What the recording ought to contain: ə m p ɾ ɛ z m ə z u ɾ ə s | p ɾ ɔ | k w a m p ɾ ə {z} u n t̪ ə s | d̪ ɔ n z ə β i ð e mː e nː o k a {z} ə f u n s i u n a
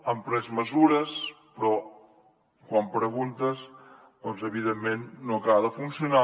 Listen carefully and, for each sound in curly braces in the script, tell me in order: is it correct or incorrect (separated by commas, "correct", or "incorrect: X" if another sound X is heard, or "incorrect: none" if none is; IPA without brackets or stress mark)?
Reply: incorrect: ɣ, incorrect: ð